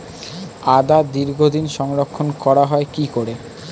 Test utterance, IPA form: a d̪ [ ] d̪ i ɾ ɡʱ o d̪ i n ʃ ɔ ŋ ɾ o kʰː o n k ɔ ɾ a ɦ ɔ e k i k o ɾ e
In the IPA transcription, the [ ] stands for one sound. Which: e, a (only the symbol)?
a